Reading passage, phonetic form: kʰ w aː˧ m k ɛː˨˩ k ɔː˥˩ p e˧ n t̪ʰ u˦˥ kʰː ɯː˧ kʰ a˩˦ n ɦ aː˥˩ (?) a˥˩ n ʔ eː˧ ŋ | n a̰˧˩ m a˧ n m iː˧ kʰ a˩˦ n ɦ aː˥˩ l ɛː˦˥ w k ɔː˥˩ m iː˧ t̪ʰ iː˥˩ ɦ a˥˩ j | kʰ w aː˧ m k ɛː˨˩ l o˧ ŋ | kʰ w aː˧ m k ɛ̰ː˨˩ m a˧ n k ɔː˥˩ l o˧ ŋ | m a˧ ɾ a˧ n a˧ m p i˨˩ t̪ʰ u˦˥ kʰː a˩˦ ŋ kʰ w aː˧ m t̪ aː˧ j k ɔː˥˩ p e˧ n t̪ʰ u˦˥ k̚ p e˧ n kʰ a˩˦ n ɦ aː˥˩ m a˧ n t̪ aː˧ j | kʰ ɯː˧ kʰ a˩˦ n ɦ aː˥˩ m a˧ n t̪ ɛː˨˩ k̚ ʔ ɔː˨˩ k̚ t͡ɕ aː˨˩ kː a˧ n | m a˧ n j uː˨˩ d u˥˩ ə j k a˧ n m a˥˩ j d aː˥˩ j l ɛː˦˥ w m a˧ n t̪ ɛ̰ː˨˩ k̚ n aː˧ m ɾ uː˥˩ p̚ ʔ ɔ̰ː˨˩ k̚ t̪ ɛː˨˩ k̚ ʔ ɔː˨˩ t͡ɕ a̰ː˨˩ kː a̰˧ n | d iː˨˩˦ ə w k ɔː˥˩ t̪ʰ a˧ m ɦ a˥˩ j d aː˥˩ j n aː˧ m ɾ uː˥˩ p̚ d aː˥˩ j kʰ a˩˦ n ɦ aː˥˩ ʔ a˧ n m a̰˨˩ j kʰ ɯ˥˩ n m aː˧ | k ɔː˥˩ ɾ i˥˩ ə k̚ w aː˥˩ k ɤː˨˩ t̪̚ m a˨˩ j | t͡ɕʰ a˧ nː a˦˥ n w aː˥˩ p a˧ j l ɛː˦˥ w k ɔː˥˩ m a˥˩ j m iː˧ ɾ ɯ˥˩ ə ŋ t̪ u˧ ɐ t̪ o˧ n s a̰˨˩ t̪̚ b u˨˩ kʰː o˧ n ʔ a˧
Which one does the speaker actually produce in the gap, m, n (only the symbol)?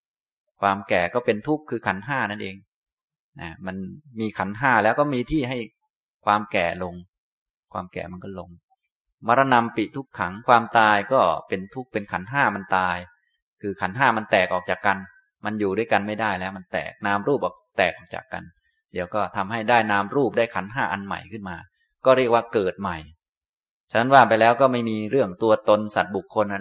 n